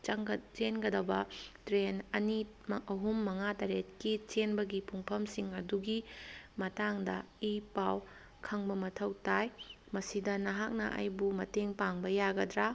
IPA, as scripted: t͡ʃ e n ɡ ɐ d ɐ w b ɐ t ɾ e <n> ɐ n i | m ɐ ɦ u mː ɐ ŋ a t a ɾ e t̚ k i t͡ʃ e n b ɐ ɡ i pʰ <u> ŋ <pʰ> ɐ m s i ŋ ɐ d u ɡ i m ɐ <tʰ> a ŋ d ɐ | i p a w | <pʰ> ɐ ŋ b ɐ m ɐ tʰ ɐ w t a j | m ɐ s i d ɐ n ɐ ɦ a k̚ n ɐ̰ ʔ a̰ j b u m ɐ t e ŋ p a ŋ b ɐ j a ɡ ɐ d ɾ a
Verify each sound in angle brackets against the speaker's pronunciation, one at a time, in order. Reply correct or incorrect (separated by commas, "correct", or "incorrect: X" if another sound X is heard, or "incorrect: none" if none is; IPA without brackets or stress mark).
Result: correct, correct, correct, incorrect: t, incorrect: kʰ